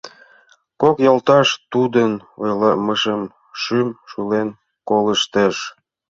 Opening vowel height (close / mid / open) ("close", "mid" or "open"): mid